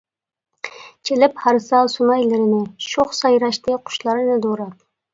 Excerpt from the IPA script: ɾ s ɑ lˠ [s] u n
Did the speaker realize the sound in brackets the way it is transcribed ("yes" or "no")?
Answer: yes